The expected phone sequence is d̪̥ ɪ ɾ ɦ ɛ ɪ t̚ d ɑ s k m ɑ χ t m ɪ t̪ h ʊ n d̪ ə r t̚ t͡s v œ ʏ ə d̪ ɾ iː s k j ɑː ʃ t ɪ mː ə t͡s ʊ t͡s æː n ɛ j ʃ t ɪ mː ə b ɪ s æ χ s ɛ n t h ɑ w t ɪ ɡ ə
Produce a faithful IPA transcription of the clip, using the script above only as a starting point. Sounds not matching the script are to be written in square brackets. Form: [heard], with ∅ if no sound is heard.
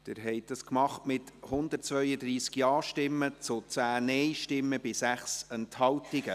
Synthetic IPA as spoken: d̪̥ ɪ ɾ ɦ ɛ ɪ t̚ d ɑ s k m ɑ χ t m ɪ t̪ h ʊ n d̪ ə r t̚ t͡s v œ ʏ ə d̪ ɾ iː s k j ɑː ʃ t ɪ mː ə t͡s ʊ t͡s æː n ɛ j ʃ t ɪ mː ə b ɪ s æ χ s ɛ n t h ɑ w t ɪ ɡ ə